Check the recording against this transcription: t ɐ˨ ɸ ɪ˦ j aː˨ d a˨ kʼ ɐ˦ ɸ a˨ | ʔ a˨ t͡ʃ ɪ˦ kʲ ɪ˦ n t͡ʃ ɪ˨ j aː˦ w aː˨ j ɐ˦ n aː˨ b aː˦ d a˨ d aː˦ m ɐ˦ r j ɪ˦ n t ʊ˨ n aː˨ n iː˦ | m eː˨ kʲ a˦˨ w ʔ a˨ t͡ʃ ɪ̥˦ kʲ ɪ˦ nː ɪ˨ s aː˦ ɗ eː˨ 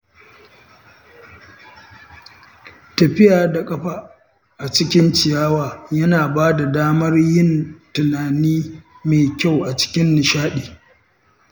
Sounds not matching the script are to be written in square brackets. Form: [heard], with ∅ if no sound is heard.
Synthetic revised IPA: t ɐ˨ ɸ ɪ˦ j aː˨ d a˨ kʼ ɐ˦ ɸ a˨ | ʔ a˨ t͡ʃ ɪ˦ kʲ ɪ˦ n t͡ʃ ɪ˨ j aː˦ w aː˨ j ɐ˦ n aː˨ b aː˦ d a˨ d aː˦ m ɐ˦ r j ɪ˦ n t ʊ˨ n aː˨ n iː˦ | m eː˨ kʲ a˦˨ w ʔ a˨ t͡ʃ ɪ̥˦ kʲ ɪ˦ nː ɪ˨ [ʃ] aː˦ ɗ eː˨

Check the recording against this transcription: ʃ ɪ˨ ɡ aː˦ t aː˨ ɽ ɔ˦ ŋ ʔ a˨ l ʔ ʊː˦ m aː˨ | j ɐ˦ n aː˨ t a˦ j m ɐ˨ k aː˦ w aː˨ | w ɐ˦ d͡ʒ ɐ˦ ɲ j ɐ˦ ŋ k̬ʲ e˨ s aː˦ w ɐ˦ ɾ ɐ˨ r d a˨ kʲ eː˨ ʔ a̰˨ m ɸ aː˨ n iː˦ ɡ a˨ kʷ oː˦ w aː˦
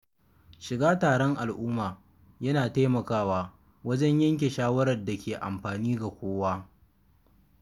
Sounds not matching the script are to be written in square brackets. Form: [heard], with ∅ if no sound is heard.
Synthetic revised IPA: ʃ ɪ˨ ɡ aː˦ t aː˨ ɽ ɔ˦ ŋ ʔ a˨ l ʔ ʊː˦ m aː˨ | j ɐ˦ n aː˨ t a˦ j m ɐ˨ k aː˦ w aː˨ | w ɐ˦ d͡ʒ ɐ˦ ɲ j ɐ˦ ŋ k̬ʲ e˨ [ʃ] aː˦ w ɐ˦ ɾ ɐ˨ r d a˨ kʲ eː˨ ʔ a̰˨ m ɸ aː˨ n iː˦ ɡ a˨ kʷ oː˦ w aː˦

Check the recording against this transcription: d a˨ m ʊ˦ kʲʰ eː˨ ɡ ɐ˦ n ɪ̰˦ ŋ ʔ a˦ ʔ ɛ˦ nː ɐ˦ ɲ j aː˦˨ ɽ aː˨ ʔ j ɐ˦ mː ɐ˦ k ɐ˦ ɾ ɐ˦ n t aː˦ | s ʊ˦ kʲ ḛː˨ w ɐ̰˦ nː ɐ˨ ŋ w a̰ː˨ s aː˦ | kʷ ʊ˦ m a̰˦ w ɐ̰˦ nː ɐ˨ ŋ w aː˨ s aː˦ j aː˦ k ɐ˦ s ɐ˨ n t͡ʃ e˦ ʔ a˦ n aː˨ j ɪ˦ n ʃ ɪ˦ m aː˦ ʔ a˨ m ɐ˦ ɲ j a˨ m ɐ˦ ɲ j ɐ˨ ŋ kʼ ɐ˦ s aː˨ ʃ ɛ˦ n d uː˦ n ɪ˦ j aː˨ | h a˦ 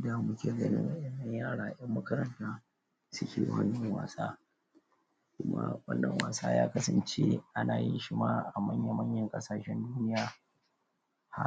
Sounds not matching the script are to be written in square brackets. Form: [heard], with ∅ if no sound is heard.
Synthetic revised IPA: d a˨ m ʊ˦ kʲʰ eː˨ ɡ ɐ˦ n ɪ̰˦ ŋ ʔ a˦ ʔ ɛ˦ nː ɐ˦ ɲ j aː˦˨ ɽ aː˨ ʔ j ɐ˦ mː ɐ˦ k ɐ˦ ɾ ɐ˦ n t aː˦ | s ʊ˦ kʲ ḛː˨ w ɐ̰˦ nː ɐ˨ ŋ w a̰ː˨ s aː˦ | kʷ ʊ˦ m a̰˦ w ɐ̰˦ nː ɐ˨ ŋ w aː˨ s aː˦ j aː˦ k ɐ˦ s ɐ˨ n t͡ʃ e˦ ʔ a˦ n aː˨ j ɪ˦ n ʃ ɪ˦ m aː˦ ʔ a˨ m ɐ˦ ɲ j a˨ m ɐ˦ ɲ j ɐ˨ ŋ kʼ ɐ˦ s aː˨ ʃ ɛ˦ n d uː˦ n ɪ˦ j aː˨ | h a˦

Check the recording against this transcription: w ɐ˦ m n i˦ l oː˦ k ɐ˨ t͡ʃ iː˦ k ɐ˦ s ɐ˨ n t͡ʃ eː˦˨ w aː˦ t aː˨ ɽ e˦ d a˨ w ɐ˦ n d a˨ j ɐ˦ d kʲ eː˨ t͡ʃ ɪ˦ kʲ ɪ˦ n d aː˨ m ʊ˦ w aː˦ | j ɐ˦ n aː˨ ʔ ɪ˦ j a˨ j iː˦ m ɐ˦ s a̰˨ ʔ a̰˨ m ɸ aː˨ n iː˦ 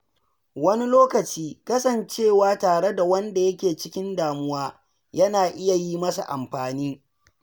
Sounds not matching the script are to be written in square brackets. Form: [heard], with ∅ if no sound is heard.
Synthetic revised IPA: w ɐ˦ [∅] n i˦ l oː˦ k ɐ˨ t͡ʃ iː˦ k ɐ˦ s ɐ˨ n t͡ʃ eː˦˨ w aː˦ t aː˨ ɽ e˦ d a˨ w ɐ˦ n d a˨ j ɐ˦ [∅] kʲ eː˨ t͡ʃ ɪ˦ kʲ ɪ˦ n d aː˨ m ʊ˦ w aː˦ | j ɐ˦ n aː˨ ʔ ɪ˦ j a˨ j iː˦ m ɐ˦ s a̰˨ ʔ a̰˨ m ɸ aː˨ n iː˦

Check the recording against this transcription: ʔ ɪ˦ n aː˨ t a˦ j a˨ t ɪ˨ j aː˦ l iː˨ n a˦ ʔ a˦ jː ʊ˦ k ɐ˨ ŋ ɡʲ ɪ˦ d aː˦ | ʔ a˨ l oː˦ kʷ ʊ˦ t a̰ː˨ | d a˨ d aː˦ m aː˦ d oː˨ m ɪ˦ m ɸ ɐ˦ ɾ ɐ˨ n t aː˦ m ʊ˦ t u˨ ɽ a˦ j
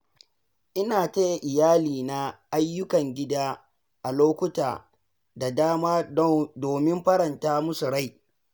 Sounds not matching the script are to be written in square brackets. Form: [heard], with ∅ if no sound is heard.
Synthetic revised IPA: ʔ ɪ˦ n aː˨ t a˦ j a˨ [ʔ] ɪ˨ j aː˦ l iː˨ n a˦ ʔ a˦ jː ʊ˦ k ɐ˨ ŋ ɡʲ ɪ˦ d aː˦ | ʔ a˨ l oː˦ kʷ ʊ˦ t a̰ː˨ | d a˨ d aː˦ m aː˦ d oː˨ m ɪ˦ m ɸ ɐ˦ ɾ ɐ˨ n t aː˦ m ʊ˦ [s] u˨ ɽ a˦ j

